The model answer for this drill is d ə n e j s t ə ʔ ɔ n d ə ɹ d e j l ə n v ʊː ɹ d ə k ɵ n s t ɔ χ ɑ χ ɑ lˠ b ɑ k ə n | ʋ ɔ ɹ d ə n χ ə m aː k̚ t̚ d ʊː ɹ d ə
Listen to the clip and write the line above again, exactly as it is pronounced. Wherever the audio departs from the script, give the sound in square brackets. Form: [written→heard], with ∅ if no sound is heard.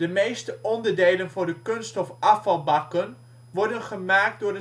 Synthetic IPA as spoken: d ə [n→m] e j s t ə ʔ ɔ n d ə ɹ d e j l ə n v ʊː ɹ d ə k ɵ n s t ɔ [χ→f] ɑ [χ→f] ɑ lˠ b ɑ k ə n | ʋ ɔ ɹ d ə n χ ə m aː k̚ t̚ d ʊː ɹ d ə